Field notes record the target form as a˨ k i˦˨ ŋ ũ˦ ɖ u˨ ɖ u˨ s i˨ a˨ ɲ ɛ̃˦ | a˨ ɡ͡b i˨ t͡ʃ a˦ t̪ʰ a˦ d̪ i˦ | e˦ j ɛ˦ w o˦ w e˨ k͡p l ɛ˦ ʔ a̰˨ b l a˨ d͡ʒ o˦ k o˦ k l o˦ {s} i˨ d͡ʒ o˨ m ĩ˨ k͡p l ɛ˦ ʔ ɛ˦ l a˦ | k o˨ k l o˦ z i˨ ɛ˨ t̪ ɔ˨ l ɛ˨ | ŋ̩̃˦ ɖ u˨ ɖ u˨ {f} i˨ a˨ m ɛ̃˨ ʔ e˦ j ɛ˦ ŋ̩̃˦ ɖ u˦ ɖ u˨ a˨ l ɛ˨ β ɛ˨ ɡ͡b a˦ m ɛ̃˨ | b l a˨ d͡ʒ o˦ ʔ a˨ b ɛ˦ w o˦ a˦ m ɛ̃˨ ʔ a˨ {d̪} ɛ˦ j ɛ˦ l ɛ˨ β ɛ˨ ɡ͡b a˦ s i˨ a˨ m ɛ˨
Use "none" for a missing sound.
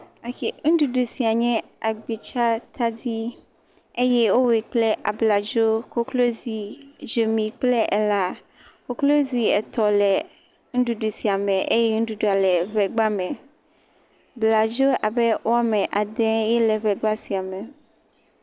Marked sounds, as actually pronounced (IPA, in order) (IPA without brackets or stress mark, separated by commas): z, s, d̪